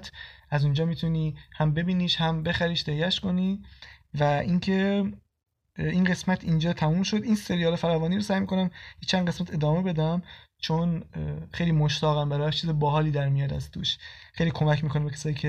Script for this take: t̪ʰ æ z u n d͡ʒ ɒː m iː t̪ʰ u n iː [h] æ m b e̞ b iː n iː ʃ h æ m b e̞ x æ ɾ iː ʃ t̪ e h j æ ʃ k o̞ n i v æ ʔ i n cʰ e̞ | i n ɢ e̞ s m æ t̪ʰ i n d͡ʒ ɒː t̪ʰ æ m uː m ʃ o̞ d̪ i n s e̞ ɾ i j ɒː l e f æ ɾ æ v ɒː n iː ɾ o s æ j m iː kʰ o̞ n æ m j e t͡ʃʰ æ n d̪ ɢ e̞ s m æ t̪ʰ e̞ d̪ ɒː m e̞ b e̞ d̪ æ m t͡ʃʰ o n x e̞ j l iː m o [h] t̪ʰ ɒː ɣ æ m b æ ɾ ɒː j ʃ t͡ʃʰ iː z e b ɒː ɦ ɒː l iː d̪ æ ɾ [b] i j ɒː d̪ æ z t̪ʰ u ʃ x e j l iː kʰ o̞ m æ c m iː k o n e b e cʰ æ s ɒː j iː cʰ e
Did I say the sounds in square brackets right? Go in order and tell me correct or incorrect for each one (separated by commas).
correct, incorrect, incorrect